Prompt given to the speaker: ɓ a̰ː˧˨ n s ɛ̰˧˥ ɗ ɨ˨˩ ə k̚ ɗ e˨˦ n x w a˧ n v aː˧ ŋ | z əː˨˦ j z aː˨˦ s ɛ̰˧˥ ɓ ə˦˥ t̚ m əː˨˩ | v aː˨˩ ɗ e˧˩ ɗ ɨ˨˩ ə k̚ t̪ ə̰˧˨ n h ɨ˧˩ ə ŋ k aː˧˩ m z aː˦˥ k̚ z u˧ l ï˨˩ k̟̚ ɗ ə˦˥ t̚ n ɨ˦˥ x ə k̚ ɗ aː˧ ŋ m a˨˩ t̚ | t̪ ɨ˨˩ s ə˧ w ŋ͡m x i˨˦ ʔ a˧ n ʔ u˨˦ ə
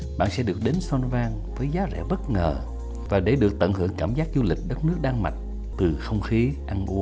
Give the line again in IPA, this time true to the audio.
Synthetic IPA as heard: ɓ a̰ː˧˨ n s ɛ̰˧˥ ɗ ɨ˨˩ ə k̚ ɗ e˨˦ n s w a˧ n v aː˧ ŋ | v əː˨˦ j z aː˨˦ z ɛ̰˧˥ ɓ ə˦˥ t̚ ŋ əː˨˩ | v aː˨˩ ɗ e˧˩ ɗ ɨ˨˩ ə k̚ t̪ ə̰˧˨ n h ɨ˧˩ ə ŋ k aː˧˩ m z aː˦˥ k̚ z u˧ l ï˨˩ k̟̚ ɗ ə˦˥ t̚ n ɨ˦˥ ə k̚ ɗ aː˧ ŋ m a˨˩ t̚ | t̪ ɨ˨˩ x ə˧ w ŋ͡m x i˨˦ ʔ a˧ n ʔ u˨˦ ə

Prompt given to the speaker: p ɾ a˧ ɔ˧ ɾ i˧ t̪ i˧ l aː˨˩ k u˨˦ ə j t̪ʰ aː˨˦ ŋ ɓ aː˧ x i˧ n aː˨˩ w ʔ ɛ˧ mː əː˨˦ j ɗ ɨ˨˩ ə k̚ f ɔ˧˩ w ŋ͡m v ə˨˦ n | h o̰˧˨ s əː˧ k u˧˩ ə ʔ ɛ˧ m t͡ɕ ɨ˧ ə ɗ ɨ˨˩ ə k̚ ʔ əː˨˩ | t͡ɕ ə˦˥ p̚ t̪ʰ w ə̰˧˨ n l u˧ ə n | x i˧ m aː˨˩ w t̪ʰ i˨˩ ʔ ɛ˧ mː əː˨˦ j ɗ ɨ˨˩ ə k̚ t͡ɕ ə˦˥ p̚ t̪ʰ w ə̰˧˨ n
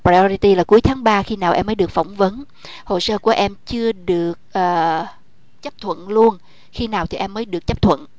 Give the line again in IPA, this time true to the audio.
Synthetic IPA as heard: p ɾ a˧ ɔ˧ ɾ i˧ t̪ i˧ l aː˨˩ k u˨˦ ə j t̪ʰ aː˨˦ ŋ ɓ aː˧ x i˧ n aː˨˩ w ʔ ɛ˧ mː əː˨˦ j ɗ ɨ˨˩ ə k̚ f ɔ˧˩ w ŋ͡m v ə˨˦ n | h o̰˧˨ s əː˧ k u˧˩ ə ʔ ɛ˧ m t͡ɕ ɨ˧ ə ɗ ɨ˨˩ ə k̚ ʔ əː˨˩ | t͡ɕ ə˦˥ p̚ t̪ʰ w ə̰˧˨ n l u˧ ə n | x i˧ n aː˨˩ w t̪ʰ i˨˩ ʔ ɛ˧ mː əː˨˦ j ɗ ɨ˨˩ ə k̚ t͡ɕ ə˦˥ p̚ t̪ʰ w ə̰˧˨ n

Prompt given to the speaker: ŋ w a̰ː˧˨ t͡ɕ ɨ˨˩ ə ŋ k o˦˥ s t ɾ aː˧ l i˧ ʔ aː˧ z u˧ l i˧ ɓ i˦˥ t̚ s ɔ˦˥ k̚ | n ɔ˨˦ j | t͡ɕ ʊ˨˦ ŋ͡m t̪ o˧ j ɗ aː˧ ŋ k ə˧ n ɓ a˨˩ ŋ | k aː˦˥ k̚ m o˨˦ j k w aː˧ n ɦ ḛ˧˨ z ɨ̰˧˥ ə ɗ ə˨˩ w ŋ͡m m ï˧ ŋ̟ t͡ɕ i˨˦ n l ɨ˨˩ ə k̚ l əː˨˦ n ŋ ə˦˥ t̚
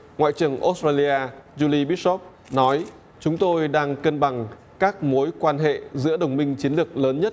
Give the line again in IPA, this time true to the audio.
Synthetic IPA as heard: ŋ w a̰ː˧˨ t͡ɕ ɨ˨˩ ə ŋ ʔ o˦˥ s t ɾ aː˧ l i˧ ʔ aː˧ z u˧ l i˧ ɓ i˦˥ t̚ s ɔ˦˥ p̚ | n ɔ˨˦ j | t͡ɕ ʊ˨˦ ŋ͡m t̪ o˧ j ɗ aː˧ ŋ k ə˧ n ɓ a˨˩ ŋ | k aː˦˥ k̚ m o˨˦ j k w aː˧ n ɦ ḛ˧˨ z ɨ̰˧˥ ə ɗ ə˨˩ w ŋ͡m m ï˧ ŋ̟ t͡ɕ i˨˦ n l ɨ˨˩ ə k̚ l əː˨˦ n ɲ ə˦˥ t̚

